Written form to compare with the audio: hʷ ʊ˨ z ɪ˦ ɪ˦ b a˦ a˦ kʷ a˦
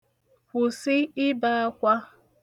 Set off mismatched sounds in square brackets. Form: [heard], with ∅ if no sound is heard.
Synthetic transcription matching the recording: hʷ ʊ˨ [s] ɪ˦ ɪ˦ b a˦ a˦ kʷ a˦